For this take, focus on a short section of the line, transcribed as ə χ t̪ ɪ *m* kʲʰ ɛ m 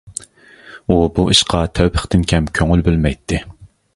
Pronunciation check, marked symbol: incorrect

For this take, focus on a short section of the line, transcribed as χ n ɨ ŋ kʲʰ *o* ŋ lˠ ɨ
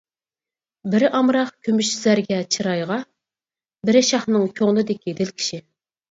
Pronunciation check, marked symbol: correct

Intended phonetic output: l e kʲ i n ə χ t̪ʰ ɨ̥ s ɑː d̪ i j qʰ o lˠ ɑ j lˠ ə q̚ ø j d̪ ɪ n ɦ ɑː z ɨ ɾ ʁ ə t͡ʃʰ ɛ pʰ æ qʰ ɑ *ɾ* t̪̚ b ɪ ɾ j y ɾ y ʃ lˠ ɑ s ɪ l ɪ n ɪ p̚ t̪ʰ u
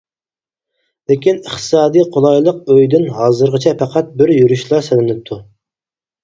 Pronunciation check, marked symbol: incorrect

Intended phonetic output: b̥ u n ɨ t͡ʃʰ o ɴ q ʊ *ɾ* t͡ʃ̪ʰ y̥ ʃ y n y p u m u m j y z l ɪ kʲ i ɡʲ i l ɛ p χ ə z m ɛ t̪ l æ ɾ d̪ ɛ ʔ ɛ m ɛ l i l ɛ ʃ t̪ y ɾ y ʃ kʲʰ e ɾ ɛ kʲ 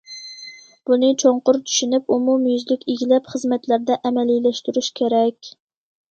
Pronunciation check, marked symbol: correct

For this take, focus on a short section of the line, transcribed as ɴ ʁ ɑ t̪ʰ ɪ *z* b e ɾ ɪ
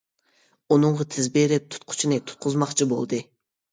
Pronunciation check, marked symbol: correct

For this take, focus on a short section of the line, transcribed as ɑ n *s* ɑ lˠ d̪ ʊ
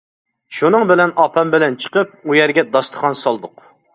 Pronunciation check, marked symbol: correct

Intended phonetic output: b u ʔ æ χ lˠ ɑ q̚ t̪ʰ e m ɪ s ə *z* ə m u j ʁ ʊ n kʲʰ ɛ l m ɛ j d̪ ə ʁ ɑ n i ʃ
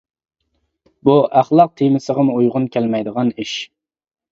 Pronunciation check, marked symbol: incorrect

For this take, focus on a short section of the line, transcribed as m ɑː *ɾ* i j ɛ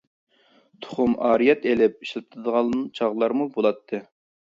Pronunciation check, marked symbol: correct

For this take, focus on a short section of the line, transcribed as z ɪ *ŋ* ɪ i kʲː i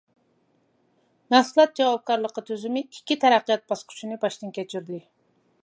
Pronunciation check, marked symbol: incorrect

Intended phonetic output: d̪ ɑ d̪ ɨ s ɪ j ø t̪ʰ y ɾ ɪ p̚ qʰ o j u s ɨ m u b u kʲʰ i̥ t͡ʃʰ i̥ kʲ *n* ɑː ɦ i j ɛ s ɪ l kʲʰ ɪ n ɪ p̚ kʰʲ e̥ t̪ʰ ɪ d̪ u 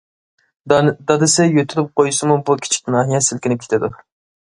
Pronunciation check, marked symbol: correct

